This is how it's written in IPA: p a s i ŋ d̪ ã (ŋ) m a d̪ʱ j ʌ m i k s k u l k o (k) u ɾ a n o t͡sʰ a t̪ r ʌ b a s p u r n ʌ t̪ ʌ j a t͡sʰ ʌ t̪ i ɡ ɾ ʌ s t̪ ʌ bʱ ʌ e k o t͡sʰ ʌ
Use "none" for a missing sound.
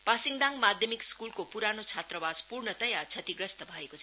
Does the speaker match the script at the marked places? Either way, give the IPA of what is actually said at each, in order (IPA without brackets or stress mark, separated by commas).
ŋ, p